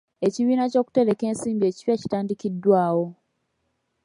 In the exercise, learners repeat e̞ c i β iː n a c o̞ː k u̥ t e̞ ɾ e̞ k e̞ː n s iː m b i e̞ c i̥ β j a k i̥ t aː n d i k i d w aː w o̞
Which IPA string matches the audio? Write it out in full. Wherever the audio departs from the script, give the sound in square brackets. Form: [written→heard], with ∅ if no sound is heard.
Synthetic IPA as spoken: e̞ c i β iː n a c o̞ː k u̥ t e̞ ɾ e̞ k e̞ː n s iː m b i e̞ c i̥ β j a [k→c] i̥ t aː n d i k i d w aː w o̞